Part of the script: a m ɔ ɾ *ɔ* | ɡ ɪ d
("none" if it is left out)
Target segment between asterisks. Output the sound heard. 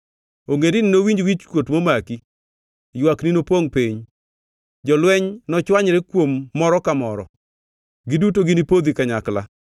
ɔ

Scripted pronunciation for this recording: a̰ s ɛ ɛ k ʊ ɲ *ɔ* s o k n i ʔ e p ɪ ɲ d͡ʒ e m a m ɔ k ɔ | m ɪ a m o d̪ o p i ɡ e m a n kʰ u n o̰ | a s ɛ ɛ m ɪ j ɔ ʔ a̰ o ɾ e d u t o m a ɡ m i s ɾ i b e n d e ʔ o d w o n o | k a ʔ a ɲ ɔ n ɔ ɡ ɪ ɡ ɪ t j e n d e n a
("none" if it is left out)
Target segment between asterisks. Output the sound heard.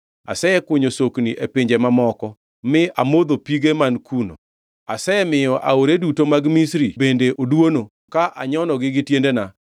o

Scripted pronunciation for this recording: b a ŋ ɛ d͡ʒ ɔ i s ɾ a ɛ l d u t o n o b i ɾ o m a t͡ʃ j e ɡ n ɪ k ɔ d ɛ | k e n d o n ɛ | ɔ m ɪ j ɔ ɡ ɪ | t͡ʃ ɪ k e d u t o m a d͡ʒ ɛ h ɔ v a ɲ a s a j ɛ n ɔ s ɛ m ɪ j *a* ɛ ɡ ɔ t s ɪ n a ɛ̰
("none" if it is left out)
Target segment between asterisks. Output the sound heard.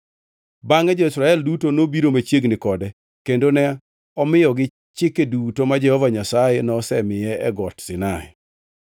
ɛ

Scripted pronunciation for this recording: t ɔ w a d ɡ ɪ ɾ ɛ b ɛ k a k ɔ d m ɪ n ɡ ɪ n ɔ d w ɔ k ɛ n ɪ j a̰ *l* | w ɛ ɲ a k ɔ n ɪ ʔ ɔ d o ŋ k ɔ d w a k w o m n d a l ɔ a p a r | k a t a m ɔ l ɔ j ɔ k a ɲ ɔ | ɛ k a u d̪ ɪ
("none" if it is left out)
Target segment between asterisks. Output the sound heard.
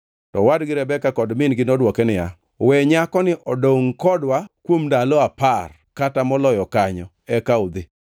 none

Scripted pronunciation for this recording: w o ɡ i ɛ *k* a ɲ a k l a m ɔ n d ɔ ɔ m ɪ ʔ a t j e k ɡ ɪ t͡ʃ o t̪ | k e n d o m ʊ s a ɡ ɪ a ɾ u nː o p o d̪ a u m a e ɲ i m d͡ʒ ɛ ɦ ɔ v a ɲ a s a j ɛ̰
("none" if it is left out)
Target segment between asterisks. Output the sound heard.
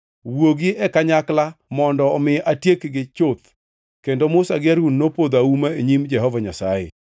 k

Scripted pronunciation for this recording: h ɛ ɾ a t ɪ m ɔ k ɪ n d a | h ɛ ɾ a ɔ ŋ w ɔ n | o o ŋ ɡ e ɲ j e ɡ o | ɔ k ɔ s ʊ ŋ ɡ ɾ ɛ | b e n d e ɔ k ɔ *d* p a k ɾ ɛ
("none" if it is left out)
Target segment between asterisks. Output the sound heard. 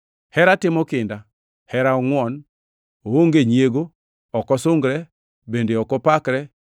none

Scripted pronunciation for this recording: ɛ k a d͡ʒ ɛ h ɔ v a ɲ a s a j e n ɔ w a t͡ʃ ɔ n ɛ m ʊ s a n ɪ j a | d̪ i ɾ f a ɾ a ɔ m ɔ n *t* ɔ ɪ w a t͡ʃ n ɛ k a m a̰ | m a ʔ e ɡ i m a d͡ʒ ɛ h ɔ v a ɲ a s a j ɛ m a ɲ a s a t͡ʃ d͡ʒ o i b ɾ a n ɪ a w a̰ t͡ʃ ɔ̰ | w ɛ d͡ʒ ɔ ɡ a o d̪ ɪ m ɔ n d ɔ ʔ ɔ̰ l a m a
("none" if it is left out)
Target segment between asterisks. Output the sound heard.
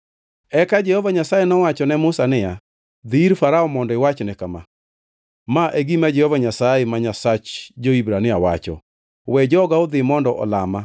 d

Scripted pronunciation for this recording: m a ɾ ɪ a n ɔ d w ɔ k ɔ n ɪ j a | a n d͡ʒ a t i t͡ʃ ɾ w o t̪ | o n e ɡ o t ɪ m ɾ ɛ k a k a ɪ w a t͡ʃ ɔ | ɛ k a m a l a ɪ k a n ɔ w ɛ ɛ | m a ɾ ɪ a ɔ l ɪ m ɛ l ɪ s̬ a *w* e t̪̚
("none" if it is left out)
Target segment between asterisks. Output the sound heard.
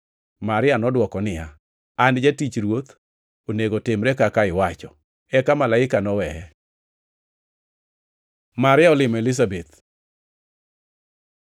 b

